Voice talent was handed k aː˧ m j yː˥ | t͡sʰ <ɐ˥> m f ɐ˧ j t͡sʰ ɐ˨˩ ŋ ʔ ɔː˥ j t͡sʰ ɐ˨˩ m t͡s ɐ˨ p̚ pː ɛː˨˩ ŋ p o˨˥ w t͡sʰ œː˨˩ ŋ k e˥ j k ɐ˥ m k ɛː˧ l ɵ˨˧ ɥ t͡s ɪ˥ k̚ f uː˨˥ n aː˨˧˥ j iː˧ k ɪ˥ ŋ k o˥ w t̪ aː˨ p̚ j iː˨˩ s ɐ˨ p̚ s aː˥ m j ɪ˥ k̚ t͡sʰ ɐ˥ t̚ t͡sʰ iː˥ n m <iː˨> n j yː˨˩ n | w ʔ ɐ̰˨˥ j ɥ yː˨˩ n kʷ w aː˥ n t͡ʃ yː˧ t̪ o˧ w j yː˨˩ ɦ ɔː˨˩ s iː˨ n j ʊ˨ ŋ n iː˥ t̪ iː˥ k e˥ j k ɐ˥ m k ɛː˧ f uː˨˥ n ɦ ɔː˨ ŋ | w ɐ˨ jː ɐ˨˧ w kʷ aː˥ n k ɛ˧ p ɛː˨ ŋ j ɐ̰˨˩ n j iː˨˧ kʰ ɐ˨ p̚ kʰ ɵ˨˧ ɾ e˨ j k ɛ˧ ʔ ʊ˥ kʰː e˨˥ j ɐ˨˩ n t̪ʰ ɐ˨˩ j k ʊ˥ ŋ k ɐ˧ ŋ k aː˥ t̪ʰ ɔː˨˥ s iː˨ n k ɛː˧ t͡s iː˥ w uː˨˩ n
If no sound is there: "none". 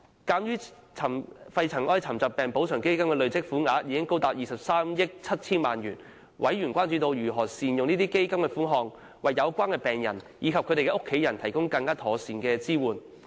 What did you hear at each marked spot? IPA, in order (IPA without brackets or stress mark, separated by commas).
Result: ɐ˨˩, aː˨